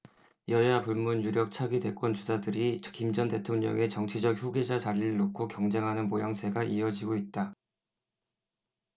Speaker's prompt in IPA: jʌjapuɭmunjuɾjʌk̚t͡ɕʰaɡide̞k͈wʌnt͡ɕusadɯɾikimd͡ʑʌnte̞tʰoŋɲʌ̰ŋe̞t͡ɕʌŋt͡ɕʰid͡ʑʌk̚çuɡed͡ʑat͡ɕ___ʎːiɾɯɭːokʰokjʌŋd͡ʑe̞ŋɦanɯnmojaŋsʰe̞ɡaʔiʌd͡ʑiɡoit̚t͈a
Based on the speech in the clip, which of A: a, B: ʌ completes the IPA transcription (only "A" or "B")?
A